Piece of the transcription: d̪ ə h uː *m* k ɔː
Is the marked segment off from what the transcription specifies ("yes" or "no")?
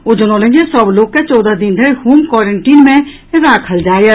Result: no